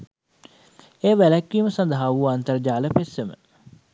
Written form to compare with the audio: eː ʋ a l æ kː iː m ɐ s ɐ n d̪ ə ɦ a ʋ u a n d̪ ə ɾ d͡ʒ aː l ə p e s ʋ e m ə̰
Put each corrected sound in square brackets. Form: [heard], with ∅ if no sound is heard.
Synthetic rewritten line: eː ʋ [æ] l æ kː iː m [ə] s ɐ n d̪ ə ɦ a ʋ u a n [t̪] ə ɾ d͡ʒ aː l ə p e s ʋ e m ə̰

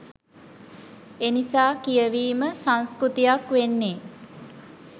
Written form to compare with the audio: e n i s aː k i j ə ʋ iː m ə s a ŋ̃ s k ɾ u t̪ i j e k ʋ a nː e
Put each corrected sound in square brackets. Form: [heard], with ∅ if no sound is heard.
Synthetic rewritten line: e n i s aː k i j ə ʋ iː m ə s a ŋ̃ s k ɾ u t̪ i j [a] k ʋ [e] nː e

